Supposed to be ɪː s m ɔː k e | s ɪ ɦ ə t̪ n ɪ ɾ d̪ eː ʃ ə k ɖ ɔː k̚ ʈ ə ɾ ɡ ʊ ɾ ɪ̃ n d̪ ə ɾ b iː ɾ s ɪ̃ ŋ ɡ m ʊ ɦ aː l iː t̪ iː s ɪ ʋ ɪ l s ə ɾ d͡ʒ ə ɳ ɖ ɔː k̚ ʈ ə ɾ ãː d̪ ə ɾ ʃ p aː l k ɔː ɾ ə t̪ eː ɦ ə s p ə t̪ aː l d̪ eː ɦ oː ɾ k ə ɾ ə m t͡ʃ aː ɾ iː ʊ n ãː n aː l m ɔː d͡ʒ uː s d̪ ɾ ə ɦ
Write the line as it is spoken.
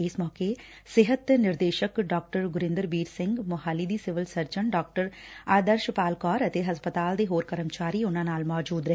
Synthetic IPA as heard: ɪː s m ɔː k e | s ɪ ɦ ə t̪ n ɪ ɾ d̪ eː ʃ ə k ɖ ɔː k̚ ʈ ə ɾ ɡ ʊ ɾ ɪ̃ n d̪ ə ɾ b iː ɾ s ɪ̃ ŋ ɡ m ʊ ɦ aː l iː d̪ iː s ɪ ʋ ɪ l s ə ɾ d͡ʒ ə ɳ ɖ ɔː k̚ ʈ ə ɾ aː d̪ ə ɾ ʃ p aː l k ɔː ɾ ə t̪ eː ɦ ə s p ə t̪ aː l d̪ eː ɦ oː ɾ k ə ɾ ə m t͡ʃ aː ɾ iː ʊ n ãː n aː l m ɔː d͡ʒ uː d̪ ɾ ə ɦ